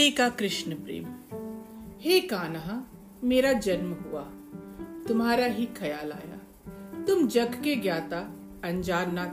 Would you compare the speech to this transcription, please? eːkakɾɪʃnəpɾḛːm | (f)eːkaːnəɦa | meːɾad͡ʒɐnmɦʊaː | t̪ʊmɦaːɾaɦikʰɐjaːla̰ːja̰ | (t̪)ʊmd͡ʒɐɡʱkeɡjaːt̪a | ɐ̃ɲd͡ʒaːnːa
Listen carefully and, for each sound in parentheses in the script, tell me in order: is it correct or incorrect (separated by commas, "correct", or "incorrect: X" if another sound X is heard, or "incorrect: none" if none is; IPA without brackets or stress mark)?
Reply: incorrect: h, correct